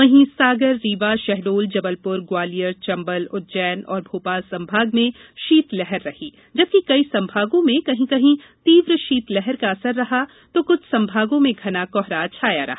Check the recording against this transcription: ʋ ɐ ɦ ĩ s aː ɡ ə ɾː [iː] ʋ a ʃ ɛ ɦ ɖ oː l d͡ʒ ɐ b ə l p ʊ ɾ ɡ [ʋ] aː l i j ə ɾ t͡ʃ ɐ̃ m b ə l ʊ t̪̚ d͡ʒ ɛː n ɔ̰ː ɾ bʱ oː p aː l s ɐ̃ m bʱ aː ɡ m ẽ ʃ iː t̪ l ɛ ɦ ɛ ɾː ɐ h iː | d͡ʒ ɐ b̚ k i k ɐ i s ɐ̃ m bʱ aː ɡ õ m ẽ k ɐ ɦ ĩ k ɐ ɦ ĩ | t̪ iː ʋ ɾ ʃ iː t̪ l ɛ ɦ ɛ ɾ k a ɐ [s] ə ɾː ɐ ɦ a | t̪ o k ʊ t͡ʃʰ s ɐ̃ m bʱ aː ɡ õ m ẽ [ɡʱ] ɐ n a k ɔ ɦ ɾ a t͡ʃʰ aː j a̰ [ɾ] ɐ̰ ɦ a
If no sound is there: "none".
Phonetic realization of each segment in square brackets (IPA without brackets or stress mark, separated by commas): iː, w, s, ɡʱ, ɾ